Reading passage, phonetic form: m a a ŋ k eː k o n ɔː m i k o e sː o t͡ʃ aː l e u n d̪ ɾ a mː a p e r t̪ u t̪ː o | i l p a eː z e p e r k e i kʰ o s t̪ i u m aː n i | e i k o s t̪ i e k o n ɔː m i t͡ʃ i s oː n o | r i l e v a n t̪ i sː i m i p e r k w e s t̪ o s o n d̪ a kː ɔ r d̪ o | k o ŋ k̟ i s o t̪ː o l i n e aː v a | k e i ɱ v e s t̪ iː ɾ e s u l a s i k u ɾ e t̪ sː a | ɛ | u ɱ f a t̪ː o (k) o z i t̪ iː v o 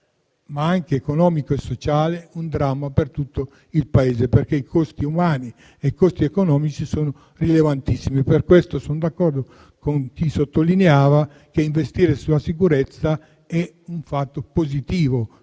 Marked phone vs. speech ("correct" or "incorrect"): incorrect